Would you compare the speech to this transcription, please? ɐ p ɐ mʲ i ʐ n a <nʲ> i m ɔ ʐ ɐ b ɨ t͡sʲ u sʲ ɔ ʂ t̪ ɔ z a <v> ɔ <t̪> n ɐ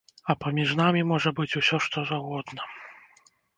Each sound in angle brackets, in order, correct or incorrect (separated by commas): incorrect, incorrect, incorrect